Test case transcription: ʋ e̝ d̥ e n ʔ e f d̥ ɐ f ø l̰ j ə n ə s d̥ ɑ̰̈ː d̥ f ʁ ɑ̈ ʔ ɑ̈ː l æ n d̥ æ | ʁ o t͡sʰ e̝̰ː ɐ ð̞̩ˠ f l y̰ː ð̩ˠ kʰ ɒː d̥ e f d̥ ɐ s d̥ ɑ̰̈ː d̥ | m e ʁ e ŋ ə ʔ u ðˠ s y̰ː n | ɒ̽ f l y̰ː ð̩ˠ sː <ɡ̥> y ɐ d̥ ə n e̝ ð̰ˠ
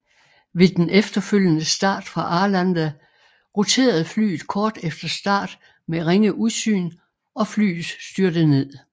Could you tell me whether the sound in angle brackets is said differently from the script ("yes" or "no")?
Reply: yes